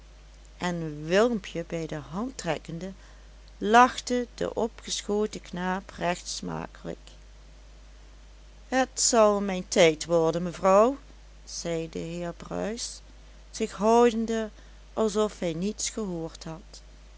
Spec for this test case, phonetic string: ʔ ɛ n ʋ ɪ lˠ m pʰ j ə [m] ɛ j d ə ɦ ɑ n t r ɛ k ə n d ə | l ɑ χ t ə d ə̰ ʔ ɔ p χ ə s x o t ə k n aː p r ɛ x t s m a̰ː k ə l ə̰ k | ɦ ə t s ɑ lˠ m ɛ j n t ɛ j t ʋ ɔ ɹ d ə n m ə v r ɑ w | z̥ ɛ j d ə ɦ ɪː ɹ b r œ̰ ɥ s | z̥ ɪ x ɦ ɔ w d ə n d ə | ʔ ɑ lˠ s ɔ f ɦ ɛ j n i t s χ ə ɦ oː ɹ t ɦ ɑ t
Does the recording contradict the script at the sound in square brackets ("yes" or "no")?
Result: yes